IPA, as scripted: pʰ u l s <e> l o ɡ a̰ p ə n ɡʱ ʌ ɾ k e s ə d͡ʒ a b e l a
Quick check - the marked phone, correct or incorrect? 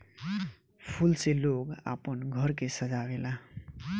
correct